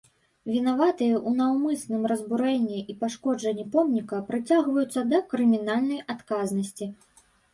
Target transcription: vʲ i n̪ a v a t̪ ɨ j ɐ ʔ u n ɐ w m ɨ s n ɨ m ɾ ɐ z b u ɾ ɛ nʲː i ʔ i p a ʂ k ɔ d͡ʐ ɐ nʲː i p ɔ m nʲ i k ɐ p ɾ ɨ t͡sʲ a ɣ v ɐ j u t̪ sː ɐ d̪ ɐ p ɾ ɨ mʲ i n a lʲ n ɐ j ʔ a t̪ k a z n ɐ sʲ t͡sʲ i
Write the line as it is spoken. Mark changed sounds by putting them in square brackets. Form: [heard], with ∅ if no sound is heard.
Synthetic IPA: vʲ i n̪ a v a t̪ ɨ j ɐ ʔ u n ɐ w m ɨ s n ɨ m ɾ ɐ z b u ɾ ɛ nʲː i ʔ i p a ʂ k ɔ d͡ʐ ɐ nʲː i p ɔ m nʲ i k ɐ p ɾ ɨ t͡sʲ a ɣ v ɐ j u t̪ sː ɐ d̪ ɐ [k] ɾ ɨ mʲ i n a lʲ n ɐ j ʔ a t̪ k a z n ɐ sʲ t͡sʲ i